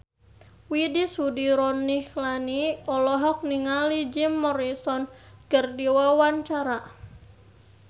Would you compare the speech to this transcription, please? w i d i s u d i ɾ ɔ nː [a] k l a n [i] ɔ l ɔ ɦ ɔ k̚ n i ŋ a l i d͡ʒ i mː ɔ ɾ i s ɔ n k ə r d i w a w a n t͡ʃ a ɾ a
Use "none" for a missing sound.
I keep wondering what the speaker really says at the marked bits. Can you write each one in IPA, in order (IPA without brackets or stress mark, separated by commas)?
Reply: i, i